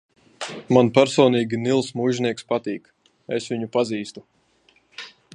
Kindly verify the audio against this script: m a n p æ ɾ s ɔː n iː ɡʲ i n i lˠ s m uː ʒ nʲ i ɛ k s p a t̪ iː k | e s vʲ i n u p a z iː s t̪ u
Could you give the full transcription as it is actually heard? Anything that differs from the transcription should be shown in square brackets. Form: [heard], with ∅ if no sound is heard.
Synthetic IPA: m a n p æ ɾ s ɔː n iː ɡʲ i n i lˠ s m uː ʒ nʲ i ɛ k s p a t̪ iː k | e s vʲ i [ɲ] u p a z iː s t̪ u